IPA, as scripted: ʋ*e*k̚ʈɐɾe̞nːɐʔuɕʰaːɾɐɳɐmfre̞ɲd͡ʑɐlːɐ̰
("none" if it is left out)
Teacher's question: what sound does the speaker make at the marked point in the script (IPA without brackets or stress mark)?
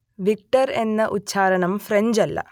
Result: i